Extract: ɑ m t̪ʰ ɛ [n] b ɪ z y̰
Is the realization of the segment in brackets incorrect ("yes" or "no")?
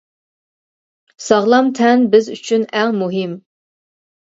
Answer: no